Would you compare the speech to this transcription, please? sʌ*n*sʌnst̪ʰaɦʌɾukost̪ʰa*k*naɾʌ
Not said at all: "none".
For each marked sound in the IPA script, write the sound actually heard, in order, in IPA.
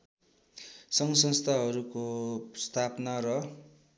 ŋ, p

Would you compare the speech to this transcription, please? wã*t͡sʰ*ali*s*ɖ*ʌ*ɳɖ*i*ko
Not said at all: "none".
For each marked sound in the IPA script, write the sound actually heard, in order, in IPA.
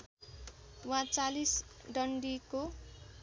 t͡s, s, ʌ, i

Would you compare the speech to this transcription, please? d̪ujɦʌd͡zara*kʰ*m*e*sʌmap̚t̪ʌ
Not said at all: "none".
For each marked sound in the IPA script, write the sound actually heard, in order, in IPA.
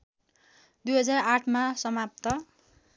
ʈʰ, a

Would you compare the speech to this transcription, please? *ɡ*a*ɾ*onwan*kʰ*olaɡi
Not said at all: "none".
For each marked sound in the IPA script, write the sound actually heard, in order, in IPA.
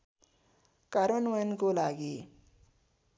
k, ɾ, k

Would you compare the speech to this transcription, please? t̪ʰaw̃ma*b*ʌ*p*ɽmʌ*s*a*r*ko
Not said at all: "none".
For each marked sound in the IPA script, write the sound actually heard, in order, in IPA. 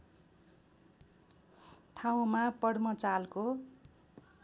p, none, t͡s, l

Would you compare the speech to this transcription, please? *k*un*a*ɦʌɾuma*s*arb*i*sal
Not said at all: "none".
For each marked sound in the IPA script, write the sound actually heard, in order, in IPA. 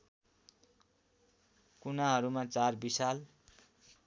k, a, t͡s, i

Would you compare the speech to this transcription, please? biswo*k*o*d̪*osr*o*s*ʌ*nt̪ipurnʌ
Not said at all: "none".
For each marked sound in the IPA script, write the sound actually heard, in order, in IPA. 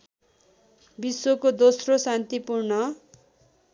k, d̪, o, a

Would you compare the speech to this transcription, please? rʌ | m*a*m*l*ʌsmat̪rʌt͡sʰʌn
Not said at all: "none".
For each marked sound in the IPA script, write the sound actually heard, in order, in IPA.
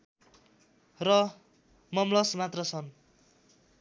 ʌ, l

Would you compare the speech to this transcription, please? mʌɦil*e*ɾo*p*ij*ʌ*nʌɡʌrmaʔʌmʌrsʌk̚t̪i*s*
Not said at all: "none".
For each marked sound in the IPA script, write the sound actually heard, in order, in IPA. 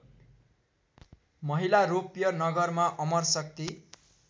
a, p, ʌ, none

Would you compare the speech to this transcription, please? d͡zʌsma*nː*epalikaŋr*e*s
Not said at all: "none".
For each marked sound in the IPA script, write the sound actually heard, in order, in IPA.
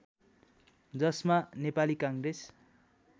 n, e

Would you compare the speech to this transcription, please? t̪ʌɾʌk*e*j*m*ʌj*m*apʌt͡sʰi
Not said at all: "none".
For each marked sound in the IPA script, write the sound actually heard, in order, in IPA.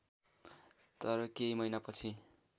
e, m, n

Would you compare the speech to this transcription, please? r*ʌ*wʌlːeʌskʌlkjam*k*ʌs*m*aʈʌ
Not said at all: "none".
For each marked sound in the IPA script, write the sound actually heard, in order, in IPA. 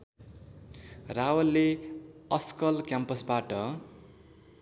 a, p, b

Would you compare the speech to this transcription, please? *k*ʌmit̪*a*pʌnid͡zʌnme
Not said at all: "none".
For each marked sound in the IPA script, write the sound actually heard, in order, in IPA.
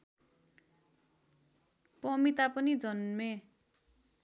p, a

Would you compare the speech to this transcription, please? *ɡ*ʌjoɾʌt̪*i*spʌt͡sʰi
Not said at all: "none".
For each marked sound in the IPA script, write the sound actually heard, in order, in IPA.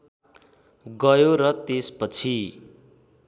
ɡ, e

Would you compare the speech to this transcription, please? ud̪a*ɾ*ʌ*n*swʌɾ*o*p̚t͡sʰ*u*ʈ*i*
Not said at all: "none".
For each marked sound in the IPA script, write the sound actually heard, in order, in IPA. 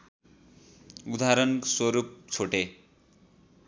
ɾ, n, u, o, e

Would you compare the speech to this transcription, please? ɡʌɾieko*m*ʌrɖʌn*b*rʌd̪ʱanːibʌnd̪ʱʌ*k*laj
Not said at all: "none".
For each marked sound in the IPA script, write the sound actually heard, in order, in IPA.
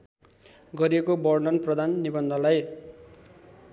b, p, none

